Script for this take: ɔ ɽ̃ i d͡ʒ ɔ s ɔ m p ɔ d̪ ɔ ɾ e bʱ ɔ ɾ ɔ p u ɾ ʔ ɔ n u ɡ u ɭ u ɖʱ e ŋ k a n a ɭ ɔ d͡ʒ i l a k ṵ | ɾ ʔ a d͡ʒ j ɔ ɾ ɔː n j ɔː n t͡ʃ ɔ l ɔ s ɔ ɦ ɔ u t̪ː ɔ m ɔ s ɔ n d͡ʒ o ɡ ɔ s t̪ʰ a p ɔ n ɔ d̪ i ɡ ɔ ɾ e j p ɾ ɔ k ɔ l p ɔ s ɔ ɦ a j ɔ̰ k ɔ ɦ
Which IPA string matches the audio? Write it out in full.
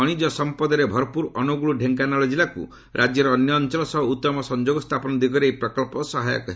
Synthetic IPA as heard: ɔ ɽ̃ i d͡ʒ ɔ s ɔ m p ɔ d̪ ɔ ɾ e bʱ ɔ ɾ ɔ p u ɾ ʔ ɔ n u ɡ u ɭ u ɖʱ e ŋ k a n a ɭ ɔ d͡ʒ i l a k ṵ | ɾ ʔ a d͡ʒ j ɔ ɾ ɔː n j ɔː n t͡ʃ ɔ l ɔ s ɔ ɦ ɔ u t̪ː ɔ m ɔ s ɔ n d͡ʒ o ɡ ɔ s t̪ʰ a p ɔ n ɔ d̪ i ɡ ɔ ɾ e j p ɾ ɔ k ɔ l p ɔ s ɔ ɦ a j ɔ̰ k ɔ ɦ